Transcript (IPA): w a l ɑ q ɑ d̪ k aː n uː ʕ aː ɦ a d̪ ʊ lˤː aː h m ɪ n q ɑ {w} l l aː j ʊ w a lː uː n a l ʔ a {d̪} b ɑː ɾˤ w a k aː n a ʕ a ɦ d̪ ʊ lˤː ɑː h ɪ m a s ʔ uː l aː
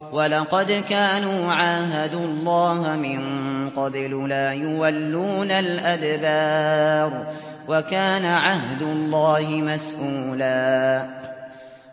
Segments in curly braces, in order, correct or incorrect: incorrect: b, correct

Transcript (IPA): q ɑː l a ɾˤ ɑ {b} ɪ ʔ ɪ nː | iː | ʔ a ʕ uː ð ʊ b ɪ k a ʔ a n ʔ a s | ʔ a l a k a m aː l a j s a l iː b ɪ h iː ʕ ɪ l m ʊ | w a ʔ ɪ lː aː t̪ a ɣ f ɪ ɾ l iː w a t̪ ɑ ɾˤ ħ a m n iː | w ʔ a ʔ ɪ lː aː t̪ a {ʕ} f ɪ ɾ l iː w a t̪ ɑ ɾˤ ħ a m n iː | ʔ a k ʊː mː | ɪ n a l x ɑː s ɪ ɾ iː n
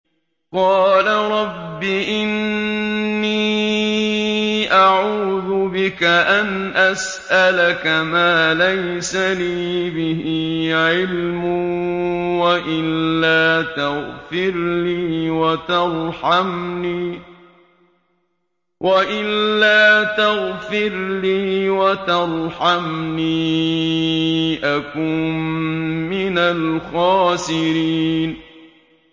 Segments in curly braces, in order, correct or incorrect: incorrect: bː, incorrect: ɣ

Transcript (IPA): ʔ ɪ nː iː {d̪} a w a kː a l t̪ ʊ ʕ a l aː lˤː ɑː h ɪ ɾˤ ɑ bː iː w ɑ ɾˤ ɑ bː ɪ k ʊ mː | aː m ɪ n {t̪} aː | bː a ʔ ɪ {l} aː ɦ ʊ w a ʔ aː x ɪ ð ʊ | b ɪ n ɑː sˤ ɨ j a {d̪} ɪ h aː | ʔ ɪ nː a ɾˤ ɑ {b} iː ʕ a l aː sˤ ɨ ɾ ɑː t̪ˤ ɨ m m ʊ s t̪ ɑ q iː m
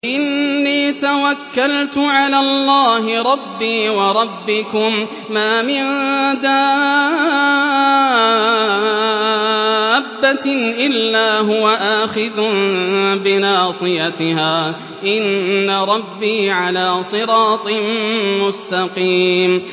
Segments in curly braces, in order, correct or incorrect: incorrect: t̪, incorrect: d̪, incorrect: lː, incorrect: t̪, incorrect: bː

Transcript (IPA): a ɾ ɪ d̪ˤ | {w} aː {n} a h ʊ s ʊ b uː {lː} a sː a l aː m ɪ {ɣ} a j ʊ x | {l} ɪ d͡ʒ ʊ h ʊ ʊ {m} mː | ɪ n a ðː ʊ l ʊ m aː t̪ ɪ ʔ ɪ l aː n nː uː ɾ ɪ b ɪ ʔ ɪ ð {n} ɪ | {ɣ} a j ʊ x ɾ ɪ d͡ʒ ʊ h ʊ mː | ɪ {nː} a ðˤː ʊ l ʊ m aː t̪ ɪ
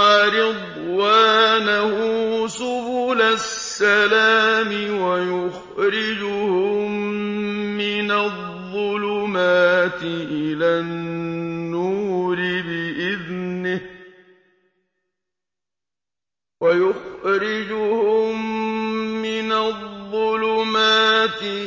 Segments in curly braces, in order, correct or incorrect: correct, correct, incorrect: l, incorrect: w, incorrect: ɾ, correct, correct, incorrect: w, incorrect: n

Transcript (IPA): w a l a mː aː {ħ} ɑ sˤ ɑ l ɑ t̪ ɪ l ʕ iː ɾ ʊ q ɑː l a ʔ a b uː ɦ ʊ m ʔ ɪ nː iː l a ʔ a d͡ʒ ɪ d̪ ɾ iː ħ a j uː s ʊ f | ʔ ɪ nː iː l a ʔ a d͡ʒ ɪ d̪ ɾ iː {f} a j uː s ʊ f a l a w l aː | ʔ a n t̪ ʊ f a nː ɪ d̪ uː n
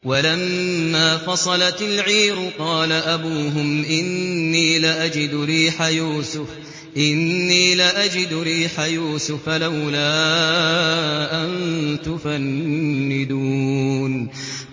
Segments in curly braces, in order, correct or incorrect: incorrect: f, incorrect: ħ

